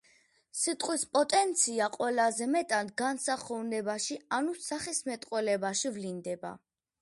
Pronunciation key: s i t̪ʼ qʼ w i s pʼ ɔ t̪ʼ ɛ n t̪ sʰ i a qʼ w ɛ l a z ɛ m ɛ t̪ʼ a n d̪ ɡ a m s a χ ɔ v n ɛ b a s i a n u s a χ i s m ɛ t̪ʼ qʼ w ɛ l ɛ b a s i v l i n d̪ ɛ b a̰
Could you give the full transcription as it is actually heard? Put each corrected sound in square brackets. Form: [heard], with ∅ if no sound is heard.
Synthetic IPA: s i t̪ʼ qʼ w i s pʼ ɔ t̪ʼ ɛ n t̪ sʰ i a qʼ w ɛ l a z ɛ m ɛ t̪ʼ a n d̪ ɡ a [n] s a χ ɔ v n ɛ b a [ʃ] i a n u s a χ i s m ɛ t̪ʼ qʼ w ɛ l ɛ b a [ʃ] i v l i n d̪ ɛ b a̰